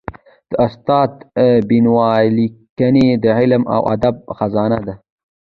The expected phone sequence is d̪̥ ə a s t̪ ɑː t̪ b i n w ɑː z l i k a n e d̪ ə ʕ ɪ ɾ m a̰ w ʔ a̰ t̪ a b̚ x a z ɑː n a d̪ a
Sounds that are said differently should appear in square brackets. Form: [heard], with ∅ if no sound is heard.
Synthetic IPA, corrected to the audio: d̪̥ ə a s t̪ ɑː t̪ b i n w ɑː [∅] l i k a n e d̪ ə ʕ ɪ [l] m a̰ w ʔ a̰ [d̪] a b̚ x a z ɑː n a d̪ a